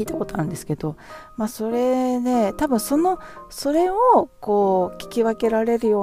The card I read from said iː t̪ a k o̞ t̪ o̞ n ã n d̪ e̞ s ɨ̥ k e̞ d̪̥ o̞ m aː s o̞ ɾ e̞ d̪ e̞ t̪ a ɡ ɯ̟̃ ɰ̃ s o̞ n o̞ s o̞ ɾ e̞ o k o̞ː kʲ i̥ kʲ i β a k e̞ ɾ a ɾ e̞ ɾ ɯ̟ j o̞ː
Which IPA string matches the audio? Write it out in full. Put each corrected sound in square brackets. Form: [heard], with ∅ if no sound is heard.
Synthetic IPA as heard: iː t̪ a k o̞ t̪ o̞ n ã n d̪ e̞ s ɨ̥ k e̞ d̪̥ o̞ m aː s o̞ ɾ e̞ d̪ e̞ t̪ a [b] ɯ̟̃ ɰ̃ s o̞ n o̞ s o̞ ɾ e̞ o k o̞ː kʲ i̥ kʲ i β a k e̞ ɾ a ɾ e̞ ɾ ɯ̟ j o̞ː